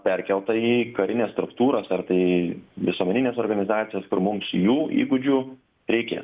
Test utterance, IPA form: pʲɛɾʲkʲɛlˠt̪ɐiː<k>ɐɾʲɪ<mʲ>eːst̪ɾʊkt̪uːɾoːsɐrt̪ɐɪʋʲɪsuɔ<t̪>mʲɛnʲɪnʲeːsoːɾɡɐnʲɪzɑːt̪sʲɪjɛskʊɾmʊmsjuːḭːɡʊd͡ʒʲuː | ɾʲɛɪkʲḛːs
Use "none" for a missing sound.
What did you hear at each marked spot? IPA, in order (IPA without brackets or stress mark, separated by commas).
k, nʲ, none